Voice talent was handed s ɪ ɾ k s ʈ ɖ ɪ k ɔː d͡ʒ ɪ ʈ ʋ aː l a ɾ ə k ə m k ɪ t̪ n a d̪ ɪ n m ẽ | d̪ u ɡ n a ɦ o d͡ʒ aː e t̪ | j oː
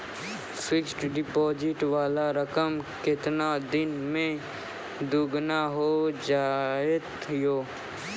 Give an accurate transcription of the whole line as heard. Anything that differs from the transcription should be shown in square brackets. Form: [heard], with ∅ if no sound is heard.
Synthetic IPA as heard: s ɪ [∅] k s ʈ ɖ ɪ [p] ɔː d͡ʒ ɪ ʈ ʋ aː l a ɾ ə k ə m k ɪ t̪ n a d̪ ɪ n m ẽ | d̪ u ɡ n a ɦ o d͡ʒ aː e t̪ | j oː

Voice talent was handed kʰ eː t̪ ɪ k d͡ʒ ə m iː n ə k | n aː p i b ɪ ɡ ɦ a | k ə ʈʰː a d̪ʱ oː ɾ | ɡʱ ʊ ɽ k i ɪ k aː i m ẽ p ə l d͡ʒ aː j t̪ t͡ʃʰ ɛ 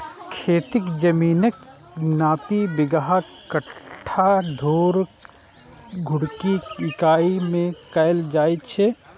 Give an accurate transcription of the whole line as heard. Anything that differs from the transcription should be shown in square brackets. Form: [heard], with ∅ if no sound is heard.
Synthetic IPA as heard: kʰ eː t̪ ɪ k d͡ʒ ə m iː n ə k | n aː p i b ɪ ɡ ɦ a | k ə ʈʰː a d̪ʱ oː ɾ | ɡʱ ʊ ɽ k i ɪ k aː i m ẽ [k] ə l d͡ʒ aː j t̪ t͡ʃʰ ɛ

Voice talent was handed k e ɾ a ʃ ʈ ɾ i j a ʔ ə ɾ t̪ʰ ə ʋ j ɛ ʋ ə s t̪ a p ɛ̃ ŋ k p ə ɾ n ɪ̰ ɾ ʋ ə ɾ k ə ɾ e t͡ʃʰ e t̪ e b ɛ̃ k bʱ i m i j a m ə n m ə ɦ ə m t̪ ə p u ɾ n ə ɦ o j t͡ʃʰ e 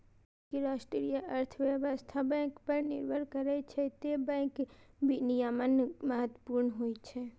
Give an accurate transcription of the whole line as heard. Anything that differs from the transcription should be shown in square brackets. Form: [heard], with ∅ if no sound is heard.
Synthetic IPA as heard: k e ɾ a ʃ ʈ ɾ i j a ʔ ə ɾ t̪ʰ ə ʋ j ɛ ʋ ə s [t̪ʰ] a [b] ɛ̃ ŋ k p ə ɾ n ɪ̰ ɾ ʋ ə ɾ k ə ɾ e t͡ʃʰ e t̪ e b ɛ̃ k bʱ i [n] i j a m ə n m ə ɦ ə [∅] t̪ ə p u ɾ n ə ɦ o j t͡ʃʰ e

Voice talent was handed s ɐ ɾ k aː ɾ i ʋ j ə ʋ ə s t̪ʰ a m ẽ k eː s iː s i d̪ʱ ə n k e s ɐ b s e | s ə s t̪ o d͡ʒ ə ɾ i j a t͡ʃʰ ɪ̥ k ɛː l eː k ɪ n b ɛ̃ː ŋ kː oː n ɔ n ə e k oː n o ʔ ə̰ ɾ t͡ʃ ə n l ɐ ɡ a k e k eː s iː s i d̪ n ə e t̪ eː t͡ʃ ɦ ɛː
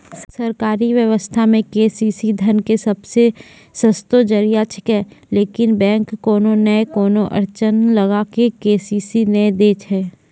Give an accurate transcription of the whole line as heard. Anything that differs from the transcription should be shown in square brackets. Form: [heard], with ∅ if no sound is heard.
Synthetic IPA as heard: s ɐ ɾ k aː ɾ i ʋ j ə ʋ ə s t̪ʰ a m ẽ k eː s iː s i d̪ʱ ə n k e s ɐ b s e | s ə s t̪ o d͡ʒ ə ɾ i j a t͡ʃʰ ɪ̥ k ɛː l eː k ɪ n b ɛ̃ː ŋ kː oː n [o] n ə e k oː n o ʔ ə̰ ɾ t͡ʃ ə n l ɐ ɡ a k e k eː s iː s i [∅] n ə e [d̪] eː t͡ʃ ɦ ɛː

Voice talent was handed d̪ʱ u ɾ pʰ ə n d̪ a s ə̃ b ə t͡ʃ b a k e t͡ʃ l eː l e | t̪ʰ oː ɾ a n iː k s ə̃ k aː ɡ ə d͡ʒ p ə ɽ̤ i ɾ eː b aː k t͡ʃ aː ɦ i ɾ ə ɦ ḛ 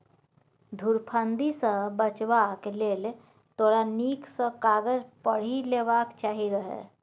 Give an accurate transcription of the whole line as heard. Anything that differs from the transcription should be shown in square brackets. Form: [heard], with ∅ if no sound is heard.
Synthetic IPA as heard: d̪ʱ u ɾ pʰ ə n d̪ [i] s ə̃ b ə t͡ʃ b a k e [∅] l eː l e | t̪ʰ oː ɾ a n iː k s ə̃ k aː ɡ ə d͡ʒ p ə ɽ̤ i [l] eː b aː k t͡ʃ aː ɦ i ɾ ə ɦ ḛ

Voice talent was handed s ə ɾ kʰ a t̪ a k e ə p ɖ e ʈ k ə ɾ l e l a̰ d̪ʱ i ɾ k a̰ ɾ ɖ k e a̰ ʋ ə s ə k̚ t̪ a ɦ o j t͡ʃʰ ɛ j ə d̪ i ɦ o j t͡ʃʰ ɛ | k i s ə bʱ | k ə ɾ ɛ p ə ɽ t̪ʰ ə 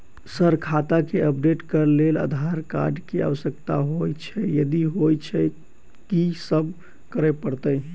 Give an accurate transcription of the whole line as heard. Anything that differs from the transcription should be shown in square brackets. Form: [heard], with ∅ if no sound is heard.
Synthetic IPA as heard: s ə ɾ kʰ a t̪ a k e ə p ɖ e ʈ k ə ɾ l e l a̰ d̪ʱ [a] ɾ k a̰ ɾ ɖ k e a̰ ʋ ə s ə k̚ t̪ a ɦ o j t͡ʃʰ ɛ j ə d̪ i ɦ o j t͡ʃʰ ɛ | k i s ə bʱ | k ə ɾ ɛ p ə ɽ [t̪] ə

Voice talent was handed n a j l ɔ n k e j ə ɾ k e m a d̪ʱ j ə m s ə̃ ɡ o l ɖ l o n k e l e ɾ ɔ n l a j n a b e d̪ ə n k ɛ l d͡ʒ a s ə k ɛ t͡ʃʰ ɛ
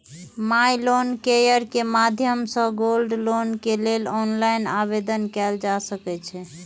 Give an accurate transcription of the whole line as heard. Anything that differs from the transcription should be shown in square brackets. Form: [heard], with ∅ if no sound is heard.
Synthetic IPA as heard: [m] a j l [o] n k e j ə ɾ k e m a d̪ʱ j ə m s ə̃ ɡ o l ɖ l o n k e l e [l] ɔ n l a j n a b e d̪ ə n k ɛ l d͡ʒ a s ə k ɛ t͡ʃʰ ɛ

